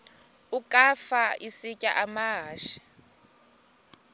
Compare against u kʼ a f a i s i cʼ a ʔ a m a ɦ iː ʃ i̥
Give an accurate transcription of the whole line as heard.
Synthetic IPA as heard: u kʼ a f a i s i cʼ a ʔ a m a ɦ aː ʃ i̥